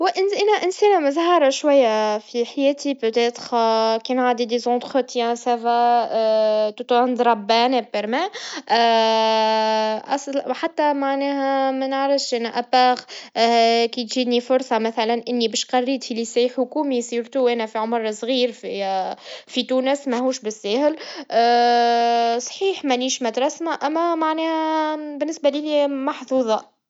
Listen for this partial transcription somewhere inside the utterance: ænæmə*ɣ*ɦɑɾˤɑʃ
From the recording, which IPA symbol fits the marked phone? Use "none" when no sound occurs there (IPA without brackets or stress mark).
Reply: z